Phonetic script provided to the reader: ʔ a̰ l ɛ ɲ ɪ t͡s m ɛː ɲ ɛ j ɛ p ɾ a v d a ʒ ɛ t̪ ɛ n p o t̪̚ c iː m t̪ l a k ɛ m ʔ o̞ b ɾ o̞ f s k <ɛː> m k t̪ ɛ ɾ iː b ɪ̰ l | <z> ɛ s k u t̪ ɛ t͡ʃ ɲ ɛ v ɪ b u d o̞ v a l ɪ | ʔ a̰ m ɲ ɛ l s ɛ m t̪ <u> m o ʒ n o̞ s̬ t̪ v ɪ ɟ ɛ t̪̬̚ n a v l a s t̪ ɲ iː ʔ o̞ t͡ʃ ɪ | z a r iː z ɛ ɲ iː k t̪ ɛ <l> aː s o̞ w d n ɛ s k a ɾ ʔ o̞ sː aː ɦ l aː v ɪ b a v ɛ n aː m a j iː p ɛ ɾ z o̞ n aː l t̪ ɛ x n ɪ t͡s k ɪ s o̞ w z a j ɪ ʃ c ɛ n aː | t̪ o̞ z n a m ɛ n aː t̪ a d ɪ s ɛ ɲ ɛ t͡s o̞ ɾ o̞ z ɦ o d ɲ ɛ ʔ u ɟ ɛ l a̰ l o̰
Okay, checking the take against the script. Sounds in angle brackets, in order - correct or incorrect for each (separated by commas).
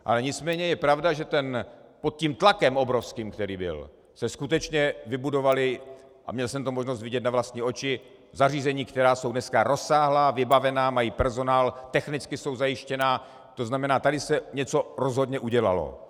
incorrect, incorrect, incorrect, incorrect